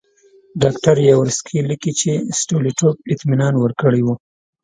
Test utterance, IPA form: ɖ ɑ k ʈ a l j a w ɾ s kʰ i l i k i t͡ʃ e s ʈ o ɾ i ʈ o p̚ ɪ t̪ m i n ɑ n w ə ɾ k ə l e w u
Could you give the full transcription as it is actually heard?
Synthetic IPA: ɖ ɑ k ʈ a ɾ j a w ɾ s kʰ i l i k i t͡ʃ e s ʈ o l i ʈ o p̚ ɪ t̪ m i n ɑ n w ə ɾ k ə ɽ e w u